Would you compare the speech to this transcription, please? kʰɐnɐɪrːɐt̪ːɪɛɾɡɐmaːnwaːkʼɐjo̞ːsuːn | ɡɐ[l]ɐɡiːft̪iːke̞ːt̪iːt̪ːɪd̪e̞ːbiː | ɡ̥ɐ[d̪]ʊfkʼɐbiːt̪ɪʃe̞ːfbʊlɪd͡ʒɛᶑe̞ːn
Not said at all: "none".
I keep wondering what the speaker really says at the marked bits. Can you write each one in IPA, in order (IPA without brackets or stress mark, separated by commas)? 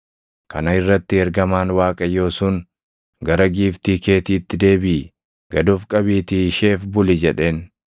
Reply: ɾ, d̪